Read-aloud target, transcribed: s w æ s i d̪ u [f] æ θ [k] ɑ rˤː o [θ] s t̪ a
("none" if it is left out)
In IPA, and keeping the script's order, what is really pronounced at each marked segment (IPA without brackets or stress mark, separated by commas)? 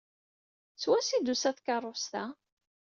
s, k, none